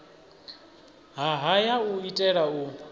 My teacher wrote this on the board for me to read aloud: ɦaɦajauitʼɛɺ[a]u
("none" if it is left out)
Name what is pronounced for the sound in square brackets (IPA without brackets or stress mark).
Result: a